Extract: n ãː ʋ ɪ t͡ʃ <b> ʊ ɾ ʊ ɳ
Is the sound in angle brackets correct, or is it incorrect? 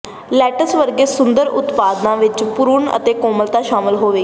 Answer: incorrect